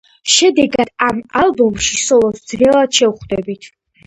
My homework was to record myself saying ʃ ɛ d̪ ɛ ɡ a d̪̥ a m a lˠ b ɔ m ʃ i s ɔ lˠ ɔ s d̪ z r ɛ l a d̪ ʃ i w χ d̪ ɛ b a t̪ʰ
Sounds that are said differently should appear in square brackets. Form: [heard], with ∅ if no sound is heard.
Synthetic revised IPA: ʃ ɛ d̪ ɛ ɡ a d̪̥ a m a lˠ b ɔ m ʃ i s ɔ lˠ ɔ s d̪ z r ɛ l a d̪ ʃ [ɛ] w χ d̪ ɛ b [i] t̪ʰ